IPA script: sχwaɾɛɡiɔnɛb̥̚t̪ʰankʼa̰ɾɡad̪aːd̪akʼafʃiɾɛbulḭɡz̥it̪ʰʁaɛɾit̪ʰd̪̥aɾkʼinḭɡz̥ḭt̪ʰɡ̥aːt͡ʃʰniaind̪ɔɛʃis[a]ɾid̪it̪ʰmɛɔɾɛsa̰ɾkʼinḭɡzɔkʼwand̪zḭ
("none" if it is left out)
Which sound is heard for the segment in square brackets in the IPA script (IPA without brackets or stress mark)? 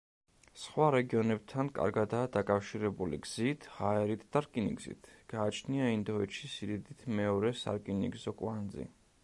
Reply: i